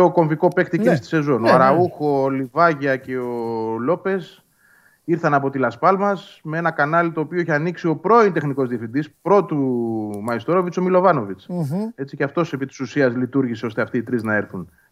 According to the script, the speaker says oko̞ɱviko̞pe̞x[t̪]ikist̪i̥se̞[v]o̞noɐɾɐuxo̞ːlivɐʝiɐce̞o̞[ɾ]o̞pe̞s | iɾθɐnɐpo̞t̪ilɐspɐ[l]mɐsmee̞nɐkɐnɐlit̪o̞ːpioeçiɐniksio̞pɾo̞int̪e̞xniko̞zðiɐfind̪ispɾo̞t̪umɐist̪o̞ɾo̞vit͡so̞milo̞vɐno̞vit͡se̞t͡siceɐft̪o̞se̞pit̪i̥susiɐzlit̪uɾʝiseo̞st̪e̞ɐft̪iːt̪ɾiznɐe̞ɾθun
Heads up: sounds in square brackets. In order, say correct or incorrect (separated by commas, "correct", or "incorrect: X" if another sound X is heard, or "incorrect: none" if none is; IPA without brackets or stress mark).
correct, incorrect: z, incorrect: l, correct